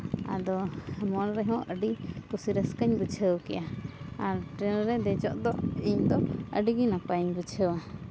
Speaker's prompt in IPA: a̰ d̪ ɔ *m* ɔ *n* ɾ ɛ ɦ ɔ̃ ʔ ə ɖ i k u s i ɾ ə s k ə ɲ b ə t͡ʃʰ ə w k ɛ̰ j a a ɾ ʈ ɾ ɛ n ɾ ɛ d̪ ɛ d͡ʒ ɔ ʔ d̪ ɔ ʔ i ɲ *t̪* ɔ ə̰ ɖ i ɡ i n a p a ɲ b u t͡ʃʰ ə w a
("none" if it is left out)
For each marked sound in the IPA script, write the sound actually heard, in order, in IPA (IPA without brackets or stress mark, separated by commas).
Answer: m, n, d̪